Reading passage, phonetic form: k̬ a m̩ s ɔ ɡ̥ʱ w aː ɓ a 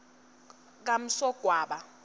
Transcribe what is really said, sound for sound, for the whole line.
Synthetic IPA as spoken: k̬ a m̩ s ɔ ɡ̥ʱ w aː ɓ a